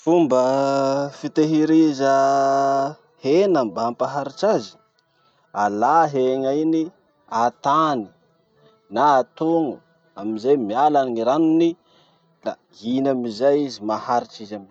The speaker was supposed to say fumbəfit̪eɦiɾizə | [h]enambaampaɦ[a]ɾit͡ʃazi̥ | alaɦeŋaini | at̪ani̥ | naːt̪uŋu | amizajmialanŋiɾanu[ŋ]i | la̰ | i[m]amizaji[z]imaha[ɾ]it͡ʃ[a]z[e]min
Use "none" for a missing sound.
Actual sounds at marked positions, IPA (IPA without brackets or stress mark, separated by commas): h, a, n, n, z, ɾ, i, a